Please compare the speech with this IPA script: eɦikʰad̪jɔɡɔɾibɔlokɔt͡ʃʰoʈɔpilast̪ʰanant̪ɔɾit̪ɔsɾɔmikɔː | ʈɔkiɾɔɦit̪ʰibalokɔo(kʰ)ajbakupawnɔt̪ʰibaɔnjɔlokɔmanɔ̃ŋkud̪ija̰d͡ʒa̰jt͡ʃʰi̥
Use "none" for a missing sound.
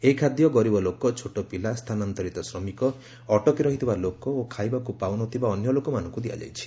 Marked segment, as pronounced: kʰ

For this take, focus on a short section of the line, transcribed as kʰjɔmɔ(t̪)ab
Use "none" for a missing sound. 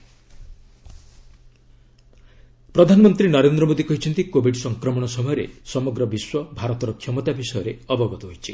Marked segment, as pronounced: t̪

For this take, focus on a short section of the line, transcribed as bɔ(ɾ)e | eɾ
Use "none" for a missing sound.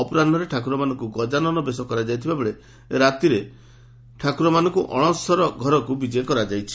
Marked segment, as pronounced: ɭ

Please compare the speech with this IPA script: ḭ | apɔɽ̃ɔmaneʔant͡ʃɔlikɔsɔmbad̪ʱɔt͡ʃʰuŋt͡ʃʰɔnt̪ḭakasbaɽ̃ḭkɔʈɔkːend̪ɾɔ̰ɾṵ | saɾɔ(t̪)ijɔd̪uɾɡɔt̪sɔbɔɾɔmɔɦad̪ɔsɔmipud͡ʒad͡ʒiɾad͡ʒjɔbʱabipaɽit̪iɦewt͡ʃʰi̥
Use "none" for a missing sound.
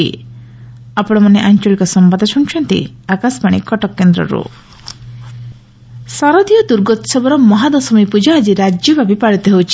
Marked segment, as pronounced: d̪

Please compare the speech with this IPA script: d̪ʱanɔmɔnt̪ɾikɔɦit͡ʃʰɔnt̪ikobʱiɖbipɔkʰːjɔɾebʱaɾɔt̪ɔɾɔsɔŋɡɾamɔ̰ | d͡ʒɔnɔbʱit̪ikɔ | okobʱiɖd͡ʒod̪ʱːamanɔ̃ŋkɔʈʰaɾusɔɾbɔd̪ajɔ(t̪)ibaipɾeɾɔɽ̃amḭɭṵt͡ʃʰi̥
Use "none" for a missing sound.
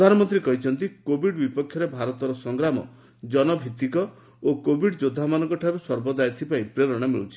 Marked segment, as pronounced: t̪ʰ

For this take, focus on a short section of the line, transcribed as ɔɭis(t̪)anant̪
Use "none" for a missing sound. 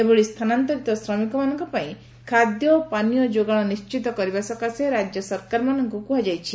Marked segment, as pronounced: t̪ʰ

